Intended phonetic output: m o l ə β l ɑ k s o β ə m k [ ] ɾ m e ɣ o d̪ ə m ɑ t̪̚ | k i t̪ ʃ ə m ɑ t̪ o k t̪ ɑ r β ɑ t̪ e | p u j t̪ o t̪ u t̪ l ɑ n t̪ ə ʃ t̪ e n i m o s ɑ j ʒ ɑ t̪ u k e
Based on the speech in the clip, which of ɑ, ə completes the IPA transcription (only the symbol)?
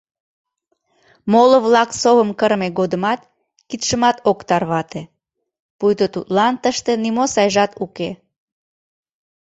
ə